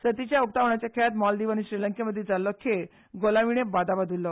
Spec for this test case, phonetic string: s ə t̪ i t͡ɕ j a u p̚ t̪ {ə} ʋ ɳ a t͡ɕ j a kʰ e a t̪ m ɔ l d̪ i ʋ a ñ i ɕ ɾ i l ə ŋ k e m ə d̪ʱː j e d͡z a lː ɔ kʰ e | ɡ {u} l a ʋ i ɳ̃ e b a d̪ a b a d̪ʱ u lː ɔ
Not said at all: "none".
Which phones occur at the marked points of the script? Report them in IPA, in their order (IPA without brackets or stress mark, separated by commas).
a, o